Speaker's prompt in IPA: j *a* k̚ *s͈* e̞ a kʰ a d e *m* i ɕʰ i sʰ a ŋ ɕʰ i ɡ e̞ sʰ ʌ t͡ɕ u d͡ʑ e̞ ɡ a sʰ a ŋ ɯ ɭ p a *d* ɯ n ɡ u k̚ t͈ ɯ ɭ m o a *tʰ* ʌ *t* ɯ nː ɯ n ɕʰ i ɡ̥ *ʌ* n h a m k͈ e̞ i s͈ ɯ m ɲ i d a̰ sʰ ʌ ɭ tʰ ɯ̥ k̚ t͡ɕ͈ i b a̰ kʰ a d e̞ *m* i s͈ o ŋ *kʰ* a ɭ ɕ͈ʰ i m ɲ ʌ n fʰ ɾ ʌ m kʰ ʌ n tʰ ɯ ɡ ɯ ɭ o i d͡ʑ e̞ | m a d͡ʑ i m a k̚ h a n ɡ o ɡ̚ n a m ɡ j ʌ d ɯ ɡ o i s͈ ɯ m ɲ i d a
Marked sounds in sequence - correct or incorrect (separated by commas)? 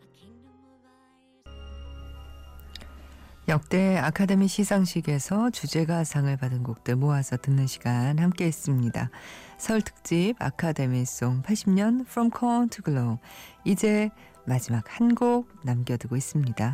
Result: incorrect, incorrect, correct, correct, incorrect, correct, incorrect, correct, incorrect